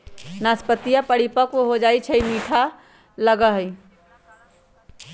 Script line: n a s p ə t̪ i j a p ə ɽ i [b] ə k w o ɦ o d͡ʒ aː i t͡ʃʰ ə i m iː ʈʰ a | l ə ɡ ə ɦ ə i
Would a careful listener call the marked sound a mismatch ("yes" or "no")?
yes